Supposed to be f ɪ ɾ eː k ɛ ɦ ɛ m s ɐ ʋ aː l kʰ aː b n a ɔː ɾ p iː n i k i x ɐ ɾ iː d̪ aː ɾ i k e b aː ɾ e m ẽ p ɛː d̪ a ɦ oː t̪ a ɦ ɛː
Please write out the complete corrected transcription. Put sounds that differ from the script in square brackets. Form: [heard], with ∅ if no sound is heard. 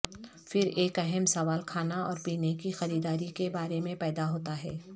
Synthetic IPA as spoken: f ɪ ɾ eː k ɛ ɦ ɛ m s ɐ ʋ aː l kʰ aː [∅] n a ɔː ɾ p iː n [e] k i x ɐ ɾ iː d̪ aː ɾ i k e b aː ɾ e m ẽ p ɛː d̪ a ɦ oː t̪ a ɦ ɛː